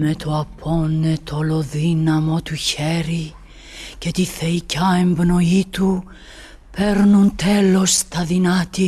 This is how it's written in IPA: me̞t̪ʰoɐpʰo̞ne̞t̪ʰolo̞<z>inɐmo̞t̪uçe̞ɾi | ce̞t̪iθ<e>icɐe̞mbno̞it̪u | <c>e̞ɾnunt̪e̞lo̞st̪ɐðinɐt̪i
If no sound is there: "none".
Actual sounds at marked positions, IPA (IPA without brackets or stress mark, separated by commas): ð, e, p